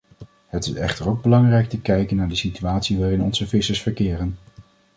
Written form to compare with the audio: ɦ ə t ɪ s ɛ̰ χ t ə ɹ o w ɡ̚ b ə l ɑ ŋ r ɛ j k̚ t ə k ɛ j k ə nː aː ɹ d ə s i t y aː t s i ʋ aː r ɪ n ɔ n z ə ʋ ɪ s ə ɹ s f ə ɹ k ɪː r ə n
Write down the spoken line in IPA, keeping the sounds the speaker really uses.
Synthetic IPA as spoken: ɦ ə t ɪ s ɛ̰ χ t ə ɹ o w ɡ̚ b ə l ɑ ŋ r ɛ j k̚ t ə k ɛ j k ə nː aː ɹ d ə s i t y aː t s i ʋ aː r ɪ n ɔ n z ə v ɪ s ə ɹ s f ə ɹ k ɪː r ə n